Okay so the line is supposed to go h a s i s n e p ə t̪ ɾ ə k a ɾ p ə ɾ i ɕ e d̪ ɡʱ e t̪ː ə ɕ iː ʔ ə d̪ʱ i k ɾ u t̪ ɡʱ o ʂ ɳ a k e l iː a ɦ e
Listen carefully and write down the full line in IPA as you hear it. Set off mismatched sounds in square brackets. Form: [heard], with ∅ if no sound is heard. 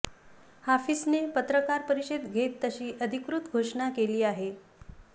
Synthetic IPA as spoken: h a [f] i s n e p ə t̪ ɾ ə k a ɾ p ə ɾ i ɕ e d̪ ɡʱ e t̪ː ə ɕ iː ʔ ə d̪ʱ i k ɾ u t̪ ɡʱ o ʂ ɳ a k e l iː a ɦ e